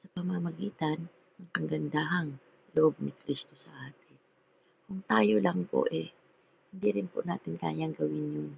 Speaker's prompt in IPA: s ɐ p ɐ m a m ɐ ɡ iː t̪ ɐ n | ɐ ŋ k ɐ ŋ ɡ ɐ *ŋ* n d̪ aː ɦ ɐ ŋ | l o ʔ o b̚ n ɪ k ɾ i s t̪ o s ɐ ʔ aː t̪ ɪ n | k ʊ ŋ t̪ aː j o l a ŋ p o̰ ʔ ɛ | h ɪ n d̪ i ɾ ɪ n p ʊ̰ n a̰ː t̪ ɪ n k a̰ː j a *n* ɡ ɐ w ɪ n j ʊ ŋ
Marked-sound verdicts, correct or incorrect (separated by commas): incorrect, incorrect